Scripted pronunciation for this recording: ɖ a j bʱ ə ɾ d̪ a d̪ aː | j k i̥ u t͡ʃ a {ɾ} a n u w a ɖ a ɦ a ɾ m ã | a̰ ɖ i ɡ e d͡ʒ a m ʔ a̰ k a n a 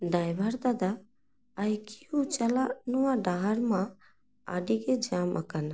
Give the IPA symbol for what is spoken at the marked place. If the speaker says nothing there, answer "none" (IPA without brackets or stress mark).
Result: l